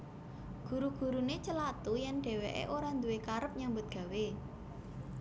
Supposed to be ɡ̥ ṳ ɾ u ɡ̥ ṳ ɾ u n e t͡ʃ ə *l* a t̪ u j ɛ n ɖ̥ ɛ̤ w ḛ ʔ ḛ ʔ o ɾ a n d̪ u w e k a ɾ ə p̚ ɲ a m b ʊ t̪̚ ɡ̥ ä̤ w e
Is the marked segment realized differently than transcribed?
no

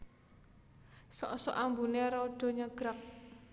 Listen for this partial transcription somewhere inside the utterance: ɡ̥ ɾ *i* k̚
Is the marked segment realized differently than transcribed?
yes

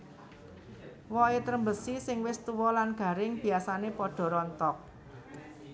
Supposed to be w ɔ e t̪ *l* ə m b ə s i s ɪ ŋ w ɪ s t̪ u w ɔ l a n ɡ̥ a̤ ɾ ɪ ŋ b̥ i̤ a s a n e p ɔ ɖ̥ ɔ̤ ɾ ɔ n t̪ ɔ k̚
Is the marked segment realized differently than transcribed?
yes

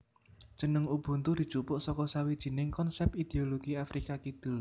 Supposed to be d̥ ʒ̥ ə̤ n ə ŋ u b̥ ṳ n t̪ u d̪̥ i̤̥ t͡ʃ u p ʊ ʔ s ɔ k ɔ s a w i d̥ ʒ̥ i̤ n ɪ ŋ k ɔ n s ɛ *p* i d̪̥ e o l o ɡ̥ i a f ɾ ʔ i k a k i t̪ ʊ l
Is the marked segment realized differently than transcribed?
no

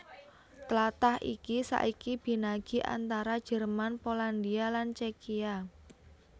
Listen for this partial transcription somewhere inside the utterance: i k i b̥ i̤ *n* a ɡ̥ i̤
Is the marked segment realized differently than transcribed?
no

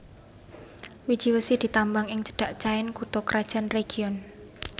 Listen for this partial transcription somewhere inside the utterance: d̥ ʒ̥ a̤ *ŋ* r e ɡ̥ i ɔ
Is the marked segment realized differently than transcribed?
yes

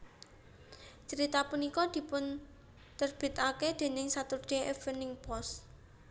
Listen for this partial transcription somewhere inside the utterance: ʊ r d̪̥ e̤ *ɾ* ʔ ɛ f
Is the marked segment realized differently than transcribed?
yes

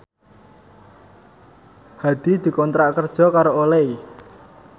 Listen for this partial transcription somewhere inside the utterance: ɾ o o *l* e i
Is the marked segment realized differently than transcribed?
no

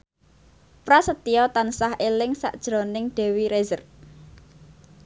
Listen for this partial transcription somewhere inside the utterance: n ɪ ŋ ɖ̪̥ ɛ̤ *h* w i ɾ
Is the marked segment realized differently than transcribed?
yes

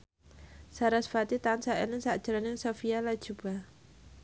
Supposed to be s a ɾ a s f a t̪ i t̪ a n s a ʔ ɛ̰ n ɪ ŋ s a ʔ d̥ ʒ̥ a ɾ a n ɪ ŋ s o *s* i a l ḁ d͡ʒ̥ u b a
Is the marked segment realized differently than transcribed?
yes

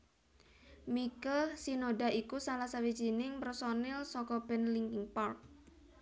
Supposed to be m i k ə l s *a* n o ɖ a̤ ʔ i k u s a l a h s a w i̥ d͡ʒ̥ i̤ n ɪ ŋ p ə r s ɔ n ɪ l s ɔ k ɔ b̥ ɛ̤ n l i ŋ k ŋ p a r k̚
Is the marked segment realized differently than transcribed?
yes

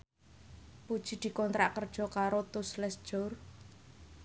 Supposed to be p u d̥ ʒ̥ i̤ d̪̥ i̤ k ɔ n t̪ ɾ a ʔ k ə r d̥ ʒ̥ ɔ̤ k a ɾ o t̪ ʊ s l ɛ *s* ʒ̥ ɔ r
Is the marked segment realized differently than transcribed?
no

